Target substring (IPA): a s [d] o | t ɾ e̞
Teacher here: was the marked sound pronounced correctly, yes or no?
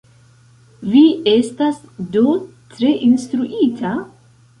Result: yes